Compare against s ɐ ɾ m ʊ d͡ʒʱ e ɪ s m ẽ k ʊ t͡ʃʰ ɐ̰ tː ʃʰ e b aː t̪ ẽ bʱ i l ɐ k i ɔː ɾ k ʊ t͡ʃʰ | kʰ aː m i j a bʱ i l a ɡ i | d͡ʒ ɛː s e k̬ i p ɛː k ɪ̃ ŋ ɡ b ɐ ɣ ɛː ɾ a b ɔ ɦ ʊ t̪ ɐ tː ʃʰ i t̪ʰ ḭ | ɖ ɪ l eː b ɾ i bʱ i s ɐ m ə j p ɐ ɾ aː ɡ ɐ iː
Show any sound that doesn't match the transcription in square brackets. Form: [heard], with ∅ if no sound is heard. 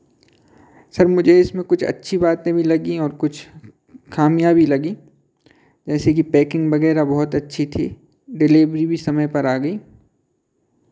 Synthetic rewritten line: s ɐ ɾ m ʊ d͡ʒʱ e ɪ s m ẽ k ʊ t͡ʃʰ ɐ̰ tː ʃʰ [i] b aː t̪ ẽ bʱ i l ɐ [ɡ] i ɔː ɾ k ʊ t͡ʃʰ | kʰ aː m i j a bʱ i l [ɐ] ɡ i | d͡ʒ ɛː s e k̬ i p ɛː k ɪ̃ ŋ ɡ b ɐ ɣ ɛː ɾ a b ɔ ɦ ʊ t̪ ɐ tː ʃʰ i t̪ʰ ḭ | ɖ ɪ l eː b ɾ i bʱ i s ɐ m ə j p ɐ ɾ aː ɡ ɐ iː

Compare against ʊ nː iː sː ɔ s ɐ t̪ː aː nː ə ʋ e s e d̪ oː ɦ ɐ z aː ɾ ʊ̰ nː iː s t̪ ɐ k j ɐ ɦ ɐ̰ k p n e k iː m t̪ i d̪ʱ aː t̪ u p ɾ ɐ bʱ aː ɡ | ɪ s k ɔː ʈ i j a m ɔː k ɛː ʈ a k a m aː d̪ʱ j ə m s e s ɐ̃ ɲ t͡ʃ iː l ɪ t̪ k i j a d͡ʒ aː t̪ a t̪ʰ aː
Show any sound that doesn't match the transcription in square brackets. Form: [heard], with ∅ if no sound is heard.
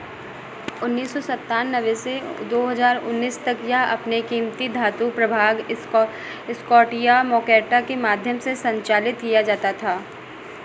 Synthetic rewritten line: ʊ nː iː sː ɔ s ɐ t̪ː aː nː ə ʋ e s e d̪ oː ɦ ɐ z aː ɾ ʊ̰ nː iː s t̪ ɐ k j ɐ ɦ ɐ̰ [∅] p n e k iː m t̪ i d̪ʱ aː t̪ u p ɾ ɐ bʱ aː ɡ | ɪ s k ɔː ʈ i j a m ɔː k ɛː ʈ a k [e] m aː d̪ʱ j ə m s e s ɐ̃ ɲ t͡ʃ [aː] l ɪ t̪ k i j a d͡ʒ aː t̪ a t̪ʰ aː

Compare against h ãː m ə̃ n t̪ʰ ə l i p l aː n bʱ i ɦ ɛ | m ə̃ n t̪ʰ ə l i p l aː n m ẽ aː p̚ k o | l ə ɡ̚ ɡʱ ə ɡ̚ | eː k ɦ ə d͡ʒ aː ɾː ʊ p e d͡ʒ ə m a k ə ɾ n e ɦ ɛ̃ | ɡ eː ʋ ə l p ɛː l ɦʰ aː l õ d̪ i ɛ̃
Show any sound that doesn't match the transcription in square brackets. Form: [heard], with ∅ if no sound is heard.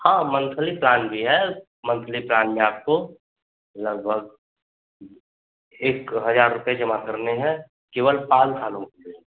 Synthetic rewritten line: h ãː m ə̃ n t̪ʰ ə l i p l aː n bʱ i ɦ ɛ | m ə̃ n t̪ʰ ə l i p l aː n m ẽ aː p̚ k o | l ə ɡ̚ [bʱ] ə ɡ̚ | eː k ɦ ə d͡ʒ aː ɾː ʊ p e d͡ʒ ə m a k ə ɾ n e ɦ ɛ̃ | [k] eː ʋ ə l p [aː] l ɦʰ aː l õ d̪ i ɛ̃

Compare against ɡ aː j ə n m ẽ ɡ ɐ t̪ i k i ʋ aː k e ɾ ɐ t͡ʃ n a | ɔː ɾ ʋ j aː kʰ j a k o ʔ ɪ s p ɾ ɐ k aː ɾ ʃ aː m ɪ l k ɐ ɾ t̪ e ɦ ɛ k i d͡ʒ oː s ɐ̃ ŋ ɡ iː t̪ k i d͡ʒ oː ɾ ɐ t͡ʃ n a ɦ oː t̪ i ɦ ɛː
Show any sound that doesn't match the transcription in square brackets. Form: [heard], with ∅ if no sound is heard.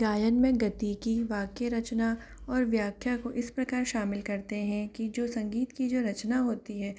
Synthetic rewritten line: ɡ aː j ə n m ẽ ɡ ɐ t̪ i k i ʋ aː k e ɾ ɐ t͡ʃ n a | ɔː ɾ ʋ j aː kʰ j a k o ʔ ɪ s p ɾ ɐ k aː ɾ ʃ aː m ɪ l k ɐ ɾ t̪ e ɦ [ɛ̃] k i d͡ʒ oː s ɐ̃ ŋ ɡ iː t̪ k i d͡ʒ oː ɾ ɐ t͡ʃ n a ɦ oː t̪ i ɦ ɛː

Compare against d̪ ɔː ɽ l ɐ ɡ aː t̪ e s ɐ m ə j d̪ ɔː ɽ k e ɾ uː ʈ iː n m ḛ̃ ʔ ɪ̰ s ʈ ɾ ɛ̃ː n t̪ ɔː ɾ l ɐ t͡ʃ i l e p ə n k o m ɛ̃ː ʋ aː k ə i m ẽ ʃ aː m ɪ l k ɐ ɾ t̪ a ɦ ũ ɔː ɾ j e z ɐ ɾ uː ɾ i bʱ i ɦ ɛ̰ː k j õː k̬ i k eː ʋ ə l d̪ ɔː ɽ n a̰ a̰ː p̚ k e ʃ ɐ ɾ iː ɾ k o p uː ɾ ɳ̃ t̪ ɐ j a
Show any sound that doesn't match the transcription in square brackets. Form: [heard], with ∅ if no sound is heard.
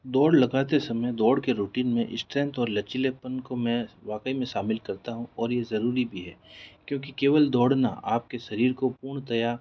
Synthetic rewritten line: d̪ ɔː ɽ l ɐ ɡ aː t̪ e s ɐ m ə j d̪ ɔː ɽ k e ɾ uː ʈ iː n m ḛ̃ ʔ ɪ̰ s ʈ ɾ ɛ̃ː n t̪ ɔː ɾ l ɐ t͡ʃ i l e p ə n k o m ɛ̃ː ʋ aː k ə i m ẽ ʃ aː m ɪ l k ɐ ɾ t̪ a ɦ ũ ɔː ɾ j e z ɐ ɾ uː ɾ i bʱ i ɦ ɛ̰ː k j õː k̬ i k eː ʋ ə l d̪ ɔː ɽ n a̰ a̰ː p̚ k e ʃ ɐ ɾ iː ɾ k o p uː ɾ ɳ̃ t̪ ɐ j a

